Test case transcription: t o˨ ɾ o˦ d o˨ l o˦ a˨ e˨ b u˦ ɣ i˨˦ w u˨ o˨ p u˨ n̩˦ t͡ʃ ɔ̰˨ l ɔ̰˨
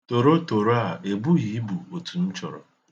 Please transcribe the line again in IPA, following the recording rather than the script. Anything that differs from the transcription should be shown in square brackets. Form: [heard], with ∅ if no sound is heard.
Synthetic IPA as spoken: t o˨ ɾ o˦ [t] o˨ [ɾ] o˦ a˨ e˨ b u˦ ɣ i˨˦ [b] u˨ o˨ [t] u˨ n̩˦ t͡ʃ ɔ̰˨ [ɾ] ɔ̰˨